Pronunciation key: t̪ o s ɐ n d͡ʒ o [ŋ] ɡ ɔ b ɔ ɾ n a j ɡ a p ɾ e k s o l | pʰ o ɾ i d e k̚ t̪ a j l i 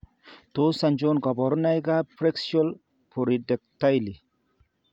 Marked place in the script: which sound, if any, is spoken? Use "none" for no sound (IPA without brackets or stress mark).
n